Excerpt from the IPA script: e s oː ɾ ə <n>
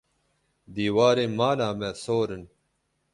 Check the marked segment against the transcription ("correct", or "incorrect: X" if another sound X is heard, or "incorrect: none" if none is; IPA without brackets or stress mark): correct